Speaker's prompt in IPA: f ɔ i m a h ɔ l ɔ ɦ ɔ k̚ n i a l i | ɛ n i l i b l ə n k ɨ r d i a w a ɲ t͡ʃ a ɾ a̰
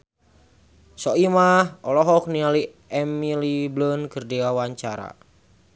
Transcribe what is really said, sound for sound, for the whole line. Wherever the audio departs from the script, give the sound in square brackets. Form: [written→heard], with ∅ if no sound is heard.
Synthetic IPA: [f→s] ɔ i m a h ɔ l ɔ ɦ ɔ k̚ n i a l i | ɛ [n→m] i l i b l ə n k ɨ r d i a w a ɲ t͡ʃ a ɾ a̰